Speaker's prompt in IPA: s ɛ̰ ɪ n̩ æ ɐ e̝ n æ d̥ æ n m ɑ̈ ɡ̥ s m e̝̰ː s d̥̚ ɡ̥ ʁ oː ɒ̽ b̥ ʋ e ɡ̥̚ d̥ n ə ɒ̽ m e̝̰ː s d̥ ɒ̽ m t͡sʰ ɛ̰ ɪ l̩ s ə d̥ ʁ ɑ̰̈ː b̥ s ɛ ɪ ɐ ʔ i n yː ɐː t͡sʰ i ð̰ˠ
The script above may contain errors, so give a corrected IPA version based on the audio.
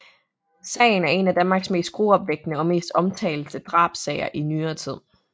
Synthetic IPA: s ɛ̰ ɪ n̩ æ ɐ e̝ n æ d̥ æ n m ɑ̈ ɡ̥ s m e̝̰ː s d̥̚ ɡ̥ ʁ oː ɒ̽ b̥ ʋ e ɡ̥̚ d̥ n ə ɒ̽ m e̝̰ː s d̥ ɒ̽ m t͡sʰ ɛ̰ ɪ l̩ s ə d̥ ʁ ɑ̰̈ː b̥ s ɛ ɪ ɐ ʔ i n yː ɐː t͡sʰ i ð̰ˠ